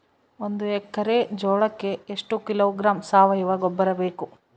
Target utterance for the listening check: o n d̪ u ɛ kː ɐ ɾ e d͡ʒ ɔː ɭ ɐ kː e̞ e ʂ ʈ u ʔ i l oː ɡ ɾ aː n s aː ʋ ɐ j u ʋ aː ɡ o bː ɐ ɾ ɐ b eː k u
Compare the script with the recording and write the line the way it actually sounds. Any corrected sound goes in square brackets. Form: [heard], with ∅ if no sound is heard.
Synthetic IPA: o n d̪ u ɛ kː ɐ ɾ e d͡ʒ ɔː ɭ ɐ kː e̞ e ʂ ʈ u [k] i l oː ɡ ɾ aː [m] s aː ʋ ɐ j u ʋ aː ɡ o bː ɐ ɾ ɐ b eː k u